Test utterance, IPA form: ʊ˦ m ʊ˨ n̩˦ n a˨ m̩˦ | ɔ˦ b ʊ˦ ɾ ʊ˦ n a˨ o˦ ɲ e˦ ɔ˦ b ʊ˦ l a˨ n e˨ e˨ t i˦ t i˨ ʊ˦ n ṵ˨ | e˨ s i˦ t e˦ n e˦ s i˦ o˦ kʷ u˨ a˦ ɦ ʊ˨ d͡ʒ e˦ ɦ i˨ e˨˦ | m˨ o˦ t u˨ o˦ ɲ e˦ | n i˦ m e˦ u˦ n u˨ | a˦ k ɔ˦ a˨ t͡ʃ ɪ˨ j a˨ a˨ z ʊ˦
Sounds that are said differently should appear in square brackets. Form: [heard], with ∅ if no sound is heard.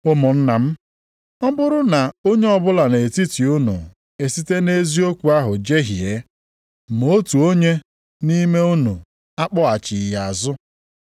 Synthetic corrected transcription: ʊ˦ m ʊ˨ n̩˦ n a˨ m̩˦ | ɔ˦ b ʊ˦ ɾ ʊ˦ n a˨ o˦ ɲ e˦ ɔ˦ b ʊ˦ l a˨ n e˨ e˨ t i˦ t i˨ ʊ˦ n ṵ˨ | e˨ s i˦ t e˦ n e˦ [z] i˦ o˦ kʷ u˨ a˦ ɦ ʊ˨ d͡ʒ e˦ ɦ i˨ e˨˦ | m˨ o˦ t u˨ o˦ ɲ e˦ | n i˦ m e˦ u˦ n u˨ | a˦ [k͡p] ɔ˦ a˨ t͡ʃ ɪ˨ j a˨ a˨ z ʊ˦